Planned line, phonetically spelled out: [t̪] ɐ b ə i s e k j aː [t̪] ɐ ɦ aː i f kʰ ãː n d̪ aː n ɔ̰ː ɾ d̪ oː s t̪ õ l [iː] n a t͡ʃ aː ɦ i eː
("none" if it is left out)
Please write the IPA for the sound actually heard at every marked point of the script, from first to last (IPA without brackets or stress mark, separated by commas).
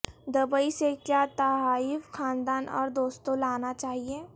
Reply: d̪, t̪, aː